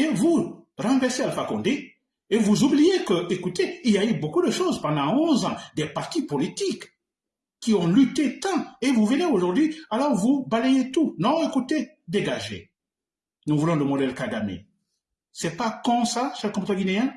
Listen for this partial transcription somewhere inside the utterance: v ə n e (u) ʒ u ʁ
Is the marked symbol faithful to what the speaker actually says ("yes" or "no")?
no